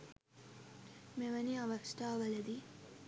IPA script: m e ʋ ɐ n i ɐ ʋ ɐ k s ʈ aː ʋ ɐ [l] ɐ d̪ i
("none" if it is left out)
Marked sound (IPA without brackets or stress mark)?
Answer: l